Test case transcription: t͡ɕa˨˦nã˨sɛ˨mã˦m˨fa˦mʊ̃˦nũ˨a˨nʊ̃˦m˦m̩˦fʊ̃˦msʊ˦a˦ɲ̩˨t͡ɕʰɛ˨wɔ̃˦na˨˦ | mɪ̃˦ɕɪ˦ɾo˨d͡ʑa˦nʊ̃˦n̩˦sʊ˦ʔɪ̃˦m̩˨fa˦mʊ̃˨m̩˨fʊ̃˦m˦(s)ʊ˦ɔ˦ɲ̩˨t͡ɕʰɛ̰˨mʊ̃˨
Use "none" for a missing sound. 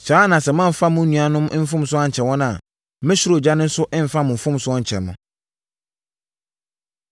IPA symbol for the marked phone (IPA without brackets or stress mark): s